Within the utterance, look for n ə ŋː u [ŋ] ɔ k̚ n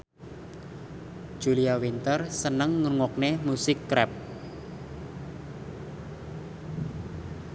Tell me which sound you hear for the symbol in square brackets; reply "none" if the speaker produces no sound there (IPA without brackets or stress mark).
ŋ